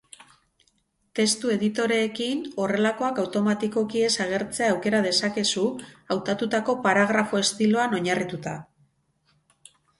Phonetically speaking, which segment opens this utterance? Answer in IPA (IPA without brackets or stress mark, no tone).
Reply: t̪